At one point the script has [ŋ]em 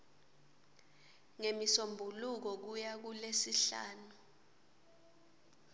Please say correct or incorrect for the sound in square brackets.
correct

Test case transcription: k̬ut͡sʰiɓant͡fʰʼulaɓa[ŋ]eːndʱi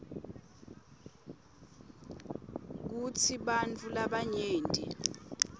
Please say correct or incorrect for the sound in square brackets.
incorrect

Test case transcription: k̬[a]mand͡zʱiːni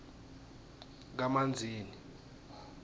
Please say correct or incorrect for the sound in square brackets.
correct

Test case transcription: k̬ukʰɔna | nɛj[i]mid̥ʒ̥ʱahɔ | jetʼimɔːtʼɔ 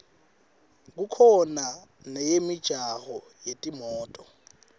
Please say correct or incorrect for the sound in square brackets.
incorrect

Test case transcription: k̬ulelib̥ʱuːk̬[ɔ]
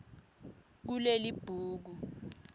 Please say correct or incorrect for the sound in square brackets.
incorrect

